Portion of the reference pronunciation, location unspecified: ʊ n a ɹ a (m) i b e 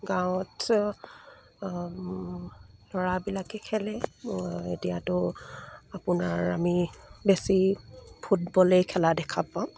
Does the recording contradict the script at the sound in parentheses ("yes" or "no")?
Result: no